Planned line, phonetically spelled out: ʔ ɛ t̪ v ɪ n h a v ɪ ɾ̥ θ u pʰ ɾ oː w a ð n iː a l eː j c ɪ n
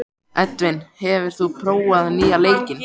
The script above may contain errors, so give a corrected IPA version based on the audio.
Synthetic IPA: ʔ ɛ t̪ v ɪ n h ɛ v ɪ ɾ̥ θ u pʰ ɾ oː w a ð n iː a l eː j c ɪ n

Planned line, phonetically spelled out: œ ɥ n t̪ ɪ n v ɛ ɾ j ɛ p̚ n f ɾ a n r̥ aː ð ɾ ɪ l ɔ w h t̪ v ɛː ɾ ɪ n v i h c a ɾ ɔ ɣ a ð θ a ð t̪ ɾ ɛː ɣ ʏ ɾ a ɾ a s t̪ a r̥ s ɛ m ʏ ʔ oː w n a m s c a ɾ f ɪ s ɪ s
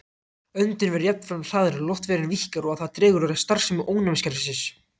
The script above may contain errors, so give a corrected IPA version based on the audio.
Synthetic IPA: œ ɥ n t̪ ɪ n v ɛ ɾ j ɛ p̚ n f ɾ a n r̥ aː ð ɾ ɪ l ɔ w h t̪ v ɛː ɾ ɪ n v i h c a ɾ ɔ ɣ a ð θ a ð t̪ ɾ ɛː ɣ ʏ ɾ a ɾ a s t̪ a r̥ s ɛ m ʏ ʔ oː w n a m s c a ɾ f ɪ s ɪ s

